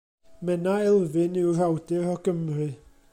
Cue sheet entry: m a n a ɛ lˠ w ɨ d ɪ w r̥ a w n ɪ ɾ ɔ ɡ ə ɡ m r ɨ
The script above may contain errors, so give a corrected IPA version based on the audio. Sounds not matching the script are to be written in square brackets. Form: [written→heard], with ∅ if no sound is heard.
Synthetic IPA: m [a→ɛ] n a ɛ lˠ [w→v] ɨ [d→n] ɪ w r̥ a w [n→d] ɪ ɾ ɔ ɡ ə [ɡ→∅] m r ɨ